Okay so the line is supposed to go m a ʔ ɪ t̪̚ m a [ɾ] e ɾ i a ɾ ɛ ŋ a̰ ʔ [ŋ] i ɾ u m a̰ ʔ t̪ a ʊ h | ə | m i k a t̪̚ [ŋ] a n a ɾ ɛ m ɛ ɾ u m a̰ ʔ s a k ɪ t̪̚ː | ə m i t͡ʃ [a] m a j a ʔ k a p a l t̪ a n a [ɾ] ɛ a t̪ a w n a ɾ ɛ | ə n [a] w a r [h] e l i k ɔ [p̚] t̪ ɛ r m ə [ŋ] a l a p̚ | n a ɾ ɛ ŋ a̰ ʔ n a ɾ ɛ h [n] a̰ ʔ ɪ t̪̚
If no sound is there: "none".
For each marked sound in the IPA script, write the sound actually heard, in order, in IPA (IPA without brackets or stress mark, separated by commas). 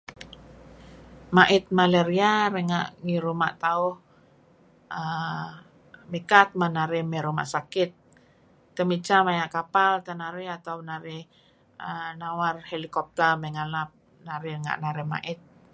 l, ŋ, m, a, ɾ, a, h, p̚, ŋ, m